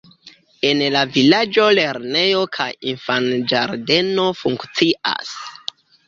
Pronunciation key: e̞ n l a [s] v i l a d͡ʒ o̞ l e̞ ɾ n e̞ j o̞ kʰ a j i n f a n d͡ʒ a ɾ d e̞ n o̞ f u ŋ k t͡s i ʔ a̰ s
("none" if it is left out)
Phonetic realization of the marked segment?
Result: none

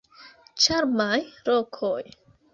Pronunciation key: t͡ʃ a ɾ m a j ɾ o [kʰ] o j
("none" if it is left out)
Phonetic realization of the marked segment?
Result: kʰ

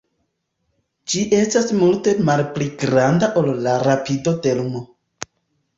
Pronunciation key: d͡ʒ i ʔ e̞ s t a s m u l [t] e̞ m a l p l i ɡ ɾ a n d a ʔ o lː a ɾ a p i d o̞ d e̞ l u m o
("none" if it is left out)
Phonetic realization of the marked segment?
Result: t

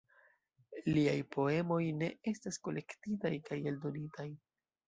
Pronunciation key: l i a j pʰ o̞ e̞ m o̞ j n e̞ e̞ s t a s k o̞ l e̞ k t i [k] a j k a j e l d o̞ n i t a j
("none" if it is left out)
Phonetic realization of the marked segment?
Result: t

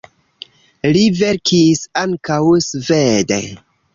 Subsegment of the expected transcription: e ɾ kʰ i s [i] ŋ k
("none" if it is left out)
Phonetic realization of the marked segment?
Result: a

